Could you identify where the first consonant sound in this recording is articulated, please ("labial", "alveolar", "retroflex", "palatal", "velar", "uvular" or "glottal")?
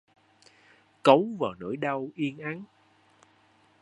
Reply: velar